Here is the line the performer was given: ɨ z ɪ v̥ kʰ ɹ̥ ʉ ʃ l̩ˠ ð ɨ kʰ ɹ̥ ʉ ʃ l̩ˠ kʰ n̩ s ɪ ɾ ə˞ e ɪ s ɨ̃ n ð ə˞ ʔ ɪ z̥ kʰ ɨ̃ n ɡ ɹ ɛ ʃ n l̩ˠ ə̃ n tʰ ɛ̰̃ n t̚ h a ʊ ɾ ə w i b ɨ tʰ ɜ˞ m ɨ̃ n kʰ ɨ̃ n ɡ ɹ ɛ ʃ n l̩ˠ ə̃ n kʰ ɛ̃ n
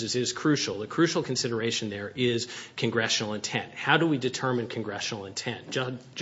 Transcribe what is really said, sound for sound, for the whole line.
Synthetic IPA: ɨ z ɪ z̥ kʰ ɹ̥ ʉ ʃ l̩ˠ ð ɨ kʰ ɹ̥ ʉ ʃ l̩ˠ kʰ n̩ s ɪ ɾ ə˞ e ɪ ʃ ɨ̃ n ð ə˞ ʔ ɪ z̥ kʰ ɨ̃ n ɡ ɹ ɛ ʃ n l̩ˠ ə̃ n tʰ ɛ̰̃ n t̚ h a ʊ ɾ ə w i d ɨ tʰ ɜ˞ m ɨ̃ n kʰ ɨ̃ n ɡ ɹ ɛ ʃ n l̩ˠ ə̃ n tʰ ɛ̃ n